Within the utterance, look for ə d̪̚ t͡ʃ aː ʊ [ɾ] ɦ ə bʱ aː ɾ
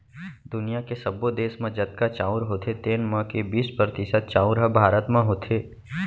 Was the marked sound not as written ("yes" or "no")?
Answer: no